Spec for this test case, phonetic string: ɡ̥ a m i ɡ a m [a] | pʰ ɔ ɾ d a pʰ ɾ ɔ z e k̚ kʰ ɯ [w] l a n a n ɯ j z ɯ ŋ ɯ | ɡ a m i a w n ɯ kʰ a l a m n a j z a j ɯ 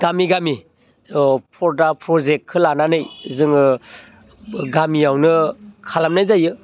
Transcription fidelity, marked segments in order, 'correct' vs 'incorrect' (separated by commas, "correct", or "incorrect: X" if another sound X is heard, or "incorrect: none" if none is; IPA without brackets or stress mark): incorrect: i, incorrect: none